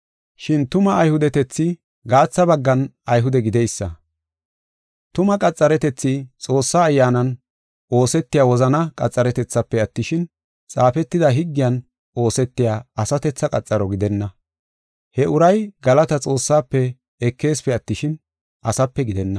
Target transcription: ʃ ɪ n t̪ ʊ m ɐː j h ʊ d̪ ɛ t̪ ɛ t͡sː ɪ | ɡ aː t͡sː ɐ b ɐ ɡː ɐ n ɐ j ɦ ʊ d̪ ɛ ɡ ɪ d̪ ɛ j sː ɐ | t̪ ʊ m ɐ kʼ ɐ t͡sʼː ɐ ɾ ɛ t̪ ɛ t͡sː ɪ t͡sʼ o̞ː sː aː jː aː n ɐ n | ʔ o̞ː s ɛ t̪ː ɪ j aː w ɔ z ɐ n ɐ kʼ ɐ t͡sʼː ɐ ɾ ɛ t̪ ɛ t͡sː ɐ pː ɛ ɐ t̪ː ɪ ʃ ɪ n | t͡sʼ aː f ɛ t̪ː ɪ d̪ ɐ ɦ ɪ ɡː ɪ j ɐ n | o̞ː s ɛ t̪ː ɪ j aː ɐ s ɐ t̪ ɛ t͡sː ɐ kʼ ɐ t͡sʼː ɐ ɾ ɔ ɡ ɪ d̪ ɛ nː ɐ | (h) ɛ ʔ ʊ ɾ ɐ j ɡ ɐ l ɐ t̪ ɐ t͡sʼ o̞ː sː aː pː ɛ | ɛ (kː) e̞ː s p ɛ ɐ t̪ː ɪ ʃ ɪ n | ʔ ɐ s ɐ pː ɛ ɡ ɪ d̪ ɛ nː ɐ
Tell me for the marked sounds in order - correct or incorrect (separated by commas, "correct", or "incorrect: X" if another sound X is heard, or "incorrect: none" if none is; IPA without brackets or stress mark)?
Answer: correct, correct